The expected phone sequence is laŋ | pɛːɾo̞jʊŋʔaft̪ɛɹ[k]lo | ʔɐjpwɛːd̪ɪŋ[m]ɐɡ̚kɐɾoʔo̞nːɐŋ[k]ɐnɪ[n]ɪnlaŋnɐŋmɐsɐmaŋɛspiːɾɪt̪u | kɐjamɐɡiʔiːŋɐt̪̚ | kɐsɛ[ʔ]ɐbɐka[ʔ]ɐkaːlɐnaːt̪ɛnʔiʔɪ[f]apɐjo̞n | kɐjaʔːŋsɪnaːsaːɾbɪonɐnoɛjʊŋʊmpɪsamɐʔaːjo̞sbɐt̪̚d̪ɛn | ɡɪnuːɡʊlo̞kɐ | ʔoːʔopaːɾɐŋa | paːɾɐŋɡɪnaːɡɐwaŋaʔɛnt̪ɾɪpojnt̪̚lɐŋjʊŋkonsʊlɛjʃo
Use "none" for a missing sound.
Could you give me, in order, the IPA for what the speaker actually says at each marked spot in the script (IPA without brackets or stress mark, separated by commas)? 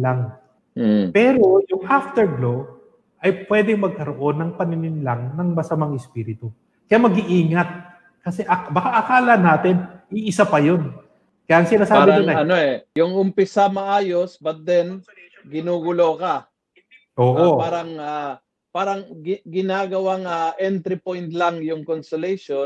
ɡ, m, p, n, ʔ, ʔ, s